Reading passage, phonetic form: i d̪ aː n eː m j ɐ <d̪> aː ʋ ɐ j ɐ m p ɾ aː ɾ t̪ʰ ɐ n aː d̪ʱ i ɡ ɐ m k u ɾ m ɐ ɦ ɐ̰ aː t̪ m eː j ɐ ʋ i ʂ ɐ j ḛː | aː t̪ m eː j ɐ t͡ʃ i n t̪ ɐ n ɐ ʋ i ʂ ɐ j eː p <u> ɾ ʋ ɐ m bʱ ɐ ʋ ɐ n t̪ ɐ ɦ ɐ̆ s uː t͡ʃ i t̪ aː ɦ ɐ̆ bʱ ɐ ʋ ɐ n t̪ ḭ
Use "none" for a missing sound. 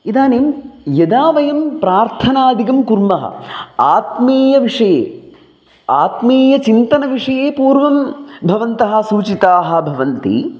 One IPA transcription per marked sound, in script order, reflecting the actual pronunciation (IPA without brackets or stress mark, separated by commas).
d̪, uː